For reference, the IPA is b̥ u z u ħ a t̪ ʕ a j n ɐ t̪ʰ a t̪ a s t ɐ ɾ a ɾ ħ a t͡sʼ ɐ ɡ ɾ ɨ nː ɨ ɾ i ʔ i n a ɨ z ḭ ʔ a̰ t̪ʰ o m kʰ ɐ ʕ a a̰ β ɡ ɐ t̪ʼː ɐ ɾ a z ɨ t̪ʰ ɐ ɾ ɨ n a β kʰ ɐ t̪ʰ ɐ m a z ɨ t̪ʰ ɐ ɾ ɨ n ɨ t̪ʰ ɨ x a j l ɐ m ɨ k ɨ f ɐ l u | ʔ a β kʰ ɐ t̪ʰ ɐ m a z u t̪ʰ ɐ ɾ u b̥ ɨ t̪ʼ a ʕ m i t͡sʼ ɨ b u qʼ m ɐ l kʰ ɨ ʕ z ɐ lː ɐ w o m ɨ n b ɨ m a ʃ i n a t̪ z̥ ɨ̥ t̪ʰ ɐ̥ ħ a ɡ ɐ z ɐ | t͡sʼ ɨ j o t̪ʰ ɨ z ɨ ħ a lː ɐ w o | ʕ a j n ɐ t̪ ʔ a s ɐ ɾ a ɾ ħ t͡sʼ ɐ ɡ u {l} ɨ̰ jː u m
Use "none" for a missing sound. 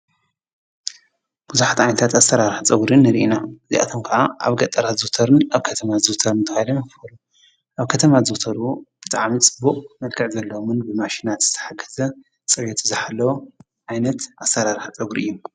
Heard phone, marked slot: ɾ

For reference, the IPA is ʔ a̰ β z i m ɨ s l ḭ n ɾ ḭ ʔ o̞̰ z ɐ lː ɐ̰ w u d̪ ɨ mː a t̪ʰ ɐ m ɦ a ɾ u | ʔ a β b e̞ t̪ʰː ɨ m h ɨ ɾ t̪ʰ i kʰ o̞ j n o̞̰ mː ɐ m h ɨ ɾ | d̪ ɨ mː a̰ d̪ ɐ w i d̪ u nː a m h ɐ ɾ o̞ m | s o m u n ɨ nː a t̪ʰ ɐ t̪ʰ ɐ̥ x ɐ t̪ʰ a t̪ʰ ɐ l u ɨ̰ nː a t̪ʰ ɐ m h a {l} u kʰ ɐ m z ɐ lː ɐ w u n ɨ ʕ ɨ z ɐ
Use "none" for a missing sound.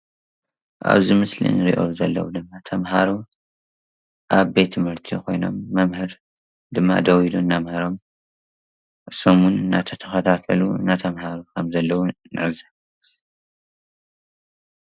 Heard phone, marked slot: ɾ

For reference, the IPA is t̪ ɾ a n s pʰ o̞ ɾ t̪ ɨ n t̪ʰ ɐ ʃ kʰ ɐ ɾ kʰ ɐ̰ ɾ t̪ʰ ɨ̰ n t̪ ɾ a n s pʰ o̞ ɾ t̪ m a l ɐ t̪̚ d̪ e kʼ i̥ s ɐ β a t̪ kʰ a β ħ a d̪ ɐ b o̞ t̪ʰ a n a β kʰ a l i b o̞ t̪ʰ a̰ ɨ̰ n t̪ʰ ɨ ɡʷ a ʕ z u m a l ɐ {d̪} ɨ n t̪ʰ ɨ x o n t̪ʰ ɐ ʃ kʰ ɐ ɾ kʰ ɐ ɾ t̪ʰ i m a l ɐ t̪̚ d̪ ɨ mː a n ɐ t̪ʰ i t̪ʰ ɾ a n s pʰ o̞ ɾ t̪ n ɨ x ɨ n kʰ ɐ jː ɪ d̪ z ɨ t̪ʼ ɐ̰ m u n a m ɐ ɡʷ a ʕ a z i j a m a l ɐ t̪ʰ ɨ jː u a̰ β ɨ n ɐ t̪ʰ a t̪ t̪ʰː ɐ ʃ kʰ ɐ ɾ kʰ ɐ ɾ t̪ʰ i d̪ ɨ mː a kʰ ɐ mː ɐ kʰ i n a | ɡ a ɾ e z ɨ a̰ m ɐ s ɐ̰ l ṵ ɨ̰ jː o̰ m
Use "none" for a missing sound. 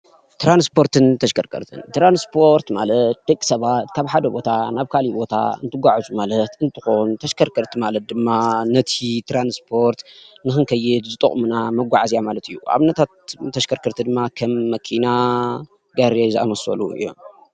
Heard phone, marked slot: t̪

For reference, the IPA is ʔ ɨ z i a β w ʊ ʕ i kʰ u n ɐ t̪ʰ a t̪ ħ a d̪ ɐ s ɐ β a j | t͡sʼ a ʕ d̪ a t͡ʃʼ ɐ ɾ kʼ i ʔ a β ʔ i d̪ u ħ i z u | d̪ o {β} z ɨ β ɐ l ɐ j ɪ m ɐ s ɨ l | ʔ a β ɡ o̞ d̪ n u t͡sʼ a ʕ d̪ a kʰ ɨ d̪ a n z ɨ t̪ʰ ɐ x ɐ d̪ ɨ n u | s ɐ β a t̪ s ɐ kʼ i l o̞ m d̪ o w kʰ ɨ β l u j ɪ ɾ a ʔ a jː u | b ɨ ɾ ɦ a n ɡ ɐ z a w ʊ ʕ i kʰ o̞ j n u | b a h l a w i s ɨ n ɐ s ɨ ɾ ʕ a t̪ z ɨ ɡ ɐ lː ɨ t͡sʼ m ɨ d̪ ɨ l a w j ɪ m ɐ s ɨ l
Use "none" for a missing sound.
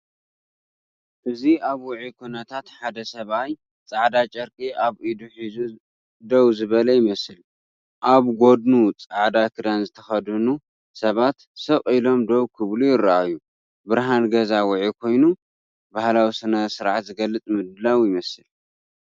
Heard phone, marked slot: w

